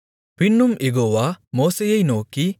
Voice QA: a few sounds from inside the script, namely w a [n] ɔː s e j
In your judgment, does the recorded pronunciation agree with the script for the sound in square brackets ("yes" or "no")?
no